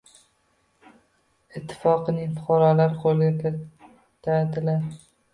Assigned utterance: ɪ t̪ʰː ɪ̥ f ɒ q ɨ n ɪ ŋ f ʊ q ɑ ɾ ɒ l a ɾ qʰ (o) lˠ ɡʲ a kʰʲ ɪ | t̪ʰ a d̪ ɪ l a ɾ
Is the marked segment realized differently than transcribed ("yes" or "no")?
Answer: no